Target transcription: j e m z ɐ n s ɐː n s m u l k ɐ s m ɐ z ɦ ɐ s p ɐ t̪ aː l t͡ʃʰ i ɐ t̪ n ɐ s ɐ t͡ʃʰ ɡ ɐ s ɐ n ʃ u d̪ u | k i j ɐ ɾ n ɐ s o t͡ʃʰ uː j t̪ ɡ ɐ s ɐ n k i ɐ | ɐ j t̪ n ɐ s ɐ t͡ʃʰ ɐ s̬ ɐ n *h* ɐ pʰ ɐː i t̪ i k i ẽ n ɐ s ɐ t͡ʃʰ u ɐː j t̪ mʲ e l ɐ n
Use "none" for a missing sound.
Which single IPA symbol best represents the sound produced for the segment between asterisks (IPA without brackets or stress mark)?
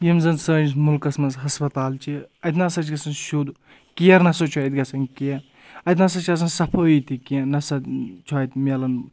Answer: s